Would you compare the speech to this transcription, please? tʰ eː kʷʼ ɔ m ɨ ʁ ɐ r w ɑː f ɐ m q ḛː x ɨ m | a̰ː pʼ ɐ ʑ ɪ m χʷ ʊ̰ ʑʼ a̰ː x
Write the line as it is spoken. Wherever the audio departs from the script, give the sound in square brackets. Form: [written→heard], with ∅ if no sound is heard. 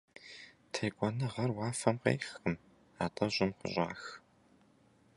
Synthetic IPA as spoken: tʰ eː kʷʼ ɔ [m→n] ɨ ʁ ɐ r w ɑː f ɐ m q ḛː x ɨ m | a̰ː [pʼ→tʼ] ɐ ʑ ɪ m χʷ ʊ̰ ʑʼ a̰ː x